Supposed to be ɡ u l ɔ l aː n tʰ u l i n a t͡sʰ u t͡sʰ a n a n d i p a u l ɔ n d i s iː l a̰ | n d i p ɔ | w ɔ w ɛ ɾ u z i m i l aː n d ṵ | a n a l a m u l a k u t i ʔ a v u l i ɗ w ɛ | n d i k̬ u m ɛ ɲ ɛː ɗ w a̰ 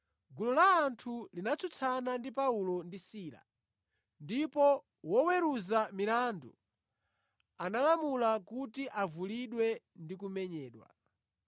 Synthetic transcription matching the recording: ɡ u l ɔ l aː n tʰ u l i n a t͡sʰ u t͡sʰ a n a n d i p a u l ɔ n d i s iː l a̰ | n d i p ɔ | w ɔ w ɛ ɾ u z a m i l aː n d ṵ | a n a l a m u l a k u t i ʔ a v u l i ɗ w ɛ | n d i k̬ u m ɛ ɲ ɛː ɗ w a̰